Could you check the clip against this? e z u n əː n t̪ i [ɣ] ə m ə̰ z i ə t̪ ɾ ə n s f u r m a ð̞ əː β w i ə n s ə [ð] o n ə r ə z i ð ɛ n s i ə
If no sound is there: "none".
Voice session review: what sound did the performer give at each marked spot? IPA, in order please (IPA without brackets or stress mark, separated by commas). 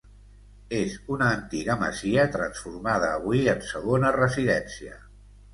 ɣ, ɣ